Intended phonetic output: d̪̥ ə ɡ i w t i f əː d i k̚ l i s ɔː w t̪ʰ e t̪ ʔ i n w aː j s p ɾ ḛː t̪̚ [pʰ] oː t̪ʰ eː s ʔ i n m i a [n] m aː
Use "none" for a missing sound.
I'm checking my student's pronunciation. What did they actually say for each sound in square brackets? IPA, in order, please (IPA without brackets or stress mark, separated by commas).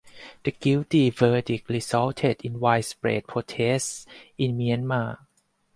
pʰ, n